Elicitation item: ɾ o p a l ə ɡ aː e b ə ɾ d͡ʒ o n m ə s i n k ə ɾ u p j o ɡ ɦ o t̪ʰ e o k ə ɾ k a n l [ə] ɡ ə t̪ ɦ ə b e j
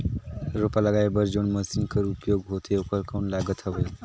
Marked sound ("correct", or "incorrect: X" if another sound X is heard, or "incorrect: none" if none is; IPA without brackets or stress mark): incorrect: a